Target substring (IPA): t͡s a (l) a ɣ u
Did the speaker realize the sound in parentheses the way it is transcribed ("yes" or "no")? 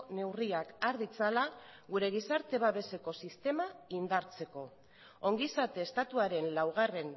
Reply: yes